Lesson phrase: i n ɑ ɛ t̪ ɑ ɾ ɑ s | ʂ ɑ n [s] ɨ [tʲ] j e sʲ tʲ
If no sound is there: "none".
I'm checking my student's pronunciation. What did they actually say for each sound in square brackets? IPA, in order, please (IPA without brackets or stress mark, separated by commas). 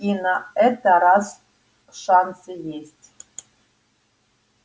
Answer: s, none